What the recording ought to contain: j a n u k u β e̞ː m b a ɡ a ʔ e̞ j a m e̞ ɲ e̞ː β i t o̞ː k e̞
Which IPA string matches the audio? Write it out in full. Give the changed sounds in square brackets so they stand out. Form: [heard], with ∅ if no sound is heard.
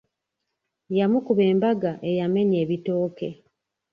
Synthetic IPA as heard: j a [m] u k u β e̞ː m b a ɡ a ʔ e̞ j a m e̞ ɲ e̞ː β i t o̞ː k e̞